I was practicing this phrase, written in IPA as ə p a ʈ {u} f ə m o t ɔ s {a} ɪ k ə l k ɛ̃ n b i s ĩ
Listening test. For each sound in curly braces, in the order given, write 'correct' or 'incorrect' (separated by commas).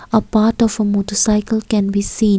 incorrect, correct